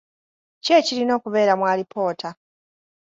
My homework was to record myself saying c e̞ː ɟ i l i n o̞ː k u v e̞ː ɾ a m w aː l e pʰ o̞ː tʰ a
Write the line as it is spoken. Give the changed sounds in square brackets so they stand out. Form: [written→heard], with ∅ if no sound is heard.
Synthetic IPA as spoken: c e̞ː [ɟ→c] i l i n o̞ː k u [v→β] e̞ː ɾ a m w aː l [e→i] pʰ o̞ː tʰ a